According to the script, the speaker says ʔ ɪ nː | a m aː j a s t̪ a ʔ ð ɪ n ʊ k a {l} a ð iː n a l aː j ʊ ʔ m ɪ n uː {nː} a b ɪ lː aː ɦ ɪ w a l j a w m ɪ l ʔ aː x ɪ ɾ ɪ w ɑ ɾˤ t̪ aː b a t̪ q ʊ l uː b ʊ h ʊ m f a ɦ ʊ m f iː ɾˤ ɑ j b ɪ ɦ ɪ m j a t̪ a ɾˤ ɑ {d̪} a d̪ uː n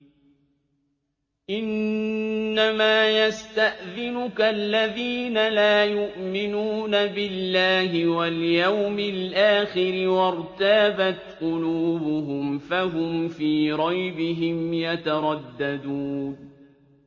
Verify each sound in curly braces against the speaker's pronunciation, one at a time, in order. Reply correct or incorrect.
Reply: incorrect, incorrect, incorrect

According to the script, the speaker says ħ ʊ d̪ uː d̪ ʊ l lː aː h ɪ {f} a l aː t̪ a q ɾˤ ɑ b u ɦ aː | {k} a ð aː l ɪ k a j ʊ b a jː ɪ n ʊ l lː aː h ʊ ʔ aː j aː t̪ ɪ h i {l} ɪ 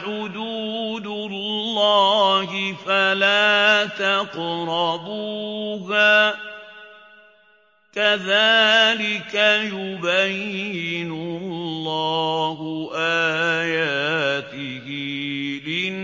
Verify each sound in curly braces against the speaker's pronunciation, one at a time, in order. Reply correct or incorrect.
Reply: correct, correct, correct

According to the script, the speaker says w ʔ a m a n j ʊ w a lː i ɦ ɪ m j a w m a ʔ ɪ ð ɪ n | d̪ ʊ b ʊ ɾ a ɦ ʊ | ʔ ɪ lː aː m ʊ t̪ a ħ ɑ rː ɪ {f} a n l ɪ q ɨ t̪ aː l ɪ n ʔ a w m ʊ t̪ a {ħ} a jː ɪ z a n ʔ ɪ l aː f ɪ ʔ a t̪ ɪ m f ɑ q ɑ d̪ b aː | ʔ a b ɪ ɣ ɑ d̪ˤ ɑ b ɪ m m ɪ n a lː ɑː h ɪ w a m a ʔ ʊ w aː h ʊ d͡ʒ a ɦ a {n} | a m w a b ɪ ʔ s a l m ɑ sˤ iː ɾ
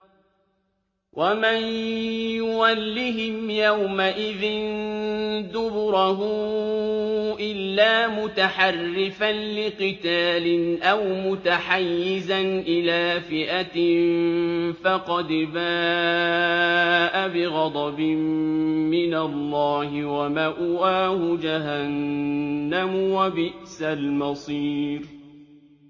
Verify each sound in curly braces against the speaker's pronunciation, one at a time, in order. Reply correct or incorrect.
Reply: correct, correct, incorrect

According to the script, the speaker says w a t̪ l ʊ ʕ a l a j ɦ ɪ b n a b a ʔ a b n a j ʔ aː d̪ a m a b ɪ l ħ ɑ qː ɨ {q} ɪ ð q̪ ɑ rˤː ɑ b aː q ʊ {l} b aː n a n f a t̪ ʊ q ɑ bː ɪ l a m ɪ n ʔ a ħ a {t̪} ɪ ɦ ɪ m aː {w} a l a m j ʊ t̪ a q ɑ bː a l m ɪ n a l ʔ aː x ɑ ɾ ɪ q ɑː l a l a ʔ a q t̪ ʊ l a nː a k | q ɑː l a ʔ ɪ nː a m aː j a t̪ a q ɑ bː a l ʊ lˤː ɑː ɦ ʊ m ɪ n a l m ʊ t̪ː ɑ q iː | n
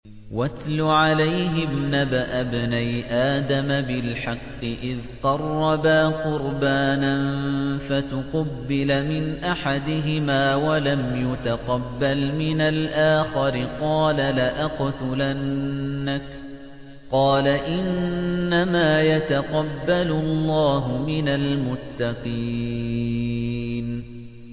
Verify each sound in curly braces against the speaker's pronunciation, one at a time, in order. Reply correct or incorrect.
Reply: incorrect, incorrect, incorrect, correct

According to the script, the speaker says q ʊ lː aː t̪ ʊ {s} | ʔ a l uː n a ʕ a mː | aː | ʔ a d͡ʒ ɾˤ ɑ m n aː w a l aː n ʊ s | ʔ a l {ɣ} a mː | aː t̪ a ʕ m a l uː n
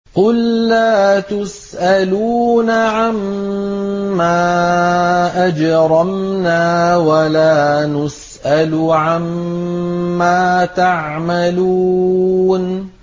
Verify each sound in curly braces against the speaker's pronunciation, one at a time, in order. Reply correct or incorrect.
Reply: correct, incorrect

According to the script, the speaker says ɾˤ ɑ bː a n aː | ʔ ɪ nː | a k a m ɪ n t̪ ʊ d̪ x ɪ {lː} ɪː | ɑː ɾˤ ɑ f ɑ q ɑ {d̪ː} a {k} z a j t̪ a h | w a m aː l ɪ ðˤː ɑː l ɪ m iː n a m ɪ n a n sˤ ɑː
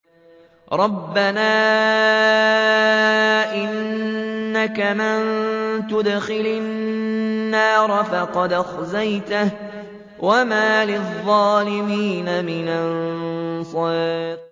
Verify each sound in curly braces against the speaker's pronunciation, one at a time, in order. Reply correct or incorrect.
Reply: incorrect, incorrect, incorrect

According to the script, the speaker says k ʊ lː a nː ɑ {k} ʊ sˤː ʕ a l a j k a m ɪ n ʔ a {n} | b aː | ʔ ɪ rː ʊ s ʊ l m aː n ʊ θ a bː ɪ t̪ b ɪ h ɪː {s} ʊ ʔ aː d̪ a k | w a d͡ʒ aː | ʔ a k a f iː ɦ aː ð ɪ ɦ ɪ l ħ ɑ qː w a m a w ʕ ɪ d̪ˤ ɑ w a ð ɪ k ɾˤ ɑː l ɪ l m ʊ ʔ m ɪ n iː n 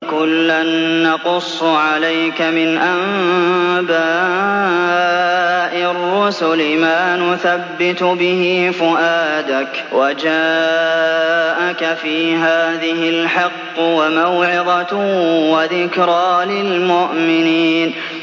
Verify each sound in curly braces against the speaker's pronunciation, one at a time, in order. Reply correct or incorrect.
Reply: incorrect, incorrect, incorrect

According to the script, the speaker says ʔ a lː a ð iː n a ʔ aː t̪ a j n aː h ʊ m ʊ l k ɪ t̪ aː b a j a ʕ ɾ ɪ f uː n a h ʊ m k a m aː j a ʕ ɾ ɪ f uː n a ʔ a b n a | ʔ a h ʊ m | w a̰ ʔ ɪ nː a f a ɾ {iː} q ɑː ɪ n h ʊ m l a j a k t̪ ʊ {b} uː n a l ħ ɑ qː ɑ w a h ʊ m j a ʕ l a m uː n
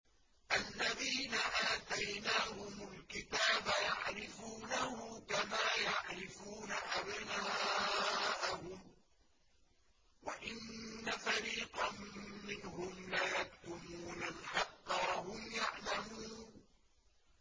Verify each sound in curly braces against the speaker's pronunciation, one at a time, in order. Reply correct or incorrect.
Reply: correct, incorrect

